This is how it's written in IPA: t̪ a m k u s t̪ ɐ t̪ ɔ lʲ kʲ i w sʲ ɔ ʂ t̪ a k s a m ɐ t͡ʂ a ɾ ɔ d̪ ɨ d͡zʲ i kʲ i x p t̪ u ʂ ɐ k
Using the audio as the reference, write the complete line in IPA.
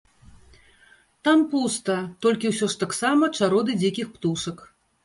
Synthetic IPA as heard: t̪ a m p u s t̪ ɐ t̪ ɔ lʲ kʲ i w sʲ ɔ ʂ t̪ a k s a m ɐ t͡ʂ a ɾ ɔ d̪ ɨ d͡zʲ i kʲ i x p t̪ u ʂ ɐ k